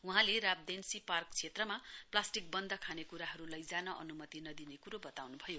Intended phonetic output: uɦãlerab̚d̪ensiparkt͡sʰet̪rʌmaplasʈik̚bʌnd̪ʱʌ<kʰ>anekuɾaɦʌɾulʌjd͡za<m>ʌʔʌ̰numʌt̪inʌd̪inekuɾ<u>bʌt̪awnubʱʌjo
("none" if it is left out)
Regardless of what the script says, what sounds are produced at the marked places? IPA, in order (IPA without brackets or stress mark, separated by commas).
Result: kʰ, n, o